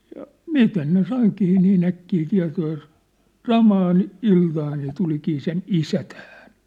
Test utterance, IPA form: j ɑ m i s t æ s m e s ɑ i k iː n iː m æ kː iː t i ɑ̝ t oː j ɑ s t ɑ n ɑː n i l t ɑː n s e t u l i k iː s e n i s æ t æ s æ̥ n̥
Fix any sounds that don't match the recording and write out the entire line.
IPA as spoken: j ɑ m i s t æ s n e s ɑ i k iː n iː n æ kː iː t i ɑ̝ t oː j ɑ s s ɑ m ɑː n i l t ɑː n s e t u l i k iː s e n i s æ t æ h æ̥ n̥

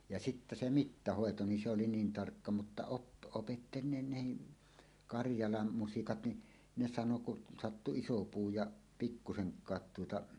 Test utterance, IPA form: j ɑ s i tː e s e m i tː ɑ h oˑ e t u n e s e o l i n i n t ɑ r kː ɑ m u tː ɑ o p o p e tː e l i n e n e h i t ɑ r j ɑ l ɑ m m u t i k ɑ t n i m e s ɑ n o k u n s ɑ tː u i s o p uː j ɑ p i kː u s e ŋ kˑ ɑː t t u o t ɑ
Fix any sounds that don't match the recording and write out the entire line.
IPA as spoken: j ɑ s i tː æ s e m i tː ɑ h oˑ e t o n i s e o l i n iː n t ɑ r kː ɑ m u tː ɑ o p o p e tː e l i n e n e h i k ɑ r j ɑ l ɑ m m u s i k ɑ t n i n e s ɑ n o k u n s ɑ tː u i s o p uː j ɑ p i kː u s e ŋ kˑ ɑː t t u o t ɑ

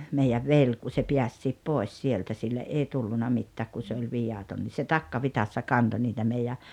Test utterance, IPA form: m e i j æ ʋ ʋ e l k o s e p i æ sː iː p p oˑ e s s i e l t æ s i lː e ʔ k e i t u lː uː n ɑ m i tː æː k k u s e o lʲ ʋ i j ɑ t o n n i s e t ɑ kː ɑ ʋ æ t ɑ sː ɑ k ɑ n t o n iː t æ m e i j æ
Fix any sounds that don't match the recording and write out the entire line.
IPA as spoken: m e i j æ ʋ ʋ e l k u s e p i æ sː iː p p oˑ e s s i e l t æ s i lː e ʔ ʔ e i t u lː u n ɑ m i tː æː k k u s e o lʲ ʋ i j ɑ t o n n i s e t ɑ kː ɑ ʋ i t ɑ sː ɑ k ɑ n t o n iː t æ m e i j æ

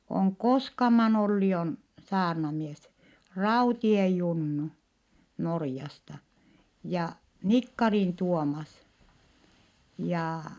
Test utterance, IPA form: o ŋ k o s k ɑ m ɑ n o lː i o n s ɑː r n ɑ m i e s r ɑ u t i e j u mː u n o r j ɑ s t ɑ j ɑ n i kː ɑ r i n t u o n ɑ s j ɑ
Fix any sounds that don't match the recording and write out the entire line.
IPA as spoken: o ŋ k o s k ɑ m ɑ n o lː i o n s ɑː r n ɑ m i e s r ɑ u t i e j u nː u n o r j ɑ s t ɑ j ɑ n i kː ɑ r i n t u o m ɑ s j ɑ

